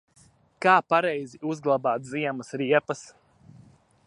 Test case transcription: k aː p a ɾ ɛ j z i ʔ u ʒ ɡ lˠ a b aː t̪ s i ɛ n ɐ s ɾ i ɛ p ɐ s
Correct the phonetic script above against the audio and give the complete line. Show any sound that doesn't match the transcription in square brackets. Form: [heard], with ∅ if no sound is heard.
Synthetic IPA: k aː p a ɾ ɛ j z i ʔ u [z] ɡ lˠ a b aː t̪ [z] i ɛ [m] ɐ s ɾ i ɛ p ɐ s